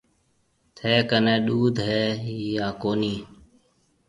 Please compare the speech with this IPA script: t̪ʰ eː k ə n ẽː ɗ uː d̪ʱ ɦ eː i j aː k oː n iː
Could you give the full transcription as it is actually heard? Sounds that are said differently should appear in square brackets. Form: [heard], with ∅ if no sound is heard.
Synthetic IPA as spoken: t̪ʰ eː k ə n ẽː ɗ uː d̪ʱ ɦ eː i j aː k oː n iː